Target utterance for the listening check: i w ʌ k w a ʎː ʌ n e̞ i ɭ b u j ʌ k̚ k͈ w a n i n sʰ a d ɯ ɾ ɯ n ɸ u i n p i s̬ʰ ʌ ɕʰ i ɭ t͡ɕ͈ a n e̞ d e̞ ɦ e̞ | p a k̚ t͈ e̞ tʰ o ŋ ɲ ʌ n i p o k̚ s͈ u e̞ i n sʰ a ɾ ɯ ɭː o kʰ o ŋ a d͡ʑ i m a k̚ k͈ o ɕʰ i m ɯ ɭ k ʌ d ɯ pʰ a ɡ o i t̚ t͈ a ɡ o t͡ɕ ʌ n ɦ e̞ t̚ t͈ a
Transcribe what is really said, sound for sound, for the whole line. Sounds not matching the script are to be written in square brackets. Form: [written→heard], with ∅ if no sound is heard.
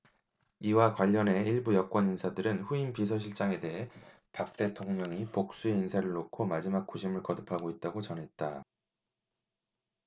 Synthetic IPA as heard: i w [ʌ→a] k w a ʎː ʌ n e̞ i ɭ b u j ʌ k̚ k͈ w [a→ʌ] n i n sʰ a d ɯ ɾ ɯ n ɸ u i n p i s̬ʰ ʌ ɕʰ i ɭ t͡ɕ͈ a [n→ŋ] e̞ d e̞ ɦ e̞ | p a k̚ t͈ e̞ tʰ o ŋ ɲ ʌ [n→ŋ] i p o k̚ s͈ u e̞ i n sʰ a ɾ ɯ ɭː o kʰ o [ŋ→m] a d͡ʑ i m a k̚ k͈ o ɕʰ i m ɯ ɭ k ʌ d ɯ pʰ a ɡ o i t̚ t͈ a ɡ o t͡ɕ ʌ n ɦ e̞ t̚ t͈ a